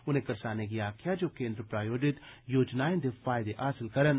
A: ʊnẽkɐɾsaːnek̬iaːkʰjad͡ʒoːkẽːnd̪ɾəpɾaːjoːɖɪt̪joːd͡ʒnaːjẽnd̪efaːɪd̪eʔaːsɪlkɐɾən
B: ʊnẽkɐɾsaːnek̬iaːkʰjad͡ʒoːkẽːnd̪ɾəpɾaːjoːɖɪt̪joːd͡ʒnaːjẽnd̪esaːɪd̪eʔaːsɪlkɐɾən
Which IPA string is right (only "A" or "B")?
A